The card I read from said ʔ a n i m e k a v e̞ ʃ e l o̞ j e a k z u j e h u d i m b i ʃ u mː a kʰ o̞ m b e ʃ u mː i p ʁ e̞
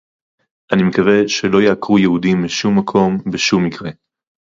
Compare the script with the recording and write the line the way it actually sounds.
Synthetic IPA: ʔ a n i m e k a v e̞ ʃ e l o̞ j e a k ʁ u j e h u d i m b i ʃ u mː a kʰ o̞ m b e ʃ u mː i k ʁ e̞